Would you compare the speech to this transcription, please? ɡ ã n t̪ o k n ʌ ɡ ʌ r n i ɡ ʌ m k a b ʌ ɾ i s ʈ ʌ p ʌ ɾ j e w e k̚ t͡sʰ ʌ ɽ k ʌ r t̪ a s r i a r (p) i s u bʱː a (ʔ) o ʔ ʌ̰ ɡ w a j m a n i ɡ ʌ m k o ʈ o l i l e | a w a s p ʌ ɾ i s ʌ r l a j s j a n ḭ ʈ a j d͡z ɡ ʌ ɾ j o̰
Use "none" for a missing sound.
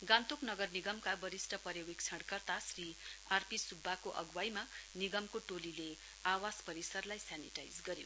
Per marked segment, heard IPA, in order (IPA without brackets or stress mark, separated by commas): p, k